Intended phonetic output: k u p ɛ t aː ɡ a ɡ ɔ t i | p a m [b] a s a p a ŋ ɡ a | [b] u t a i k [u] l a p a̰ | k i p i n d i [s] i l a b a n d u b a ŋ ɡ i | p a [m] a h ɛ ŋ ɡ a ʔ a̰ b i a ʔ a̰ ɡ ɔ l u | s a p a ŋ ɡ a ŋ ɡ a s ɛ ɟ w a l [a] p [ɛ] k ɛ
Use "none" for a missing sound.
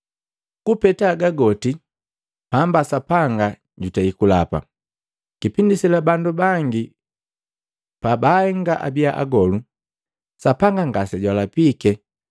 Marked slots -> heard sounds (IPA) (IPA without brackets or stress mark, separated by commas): b, ɟ, u, s, b, a, i